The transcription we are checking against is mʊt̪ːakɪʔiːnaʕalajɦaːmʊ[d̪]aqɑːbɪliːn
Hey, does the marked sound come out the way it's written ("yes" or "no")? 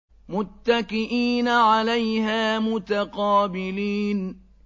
no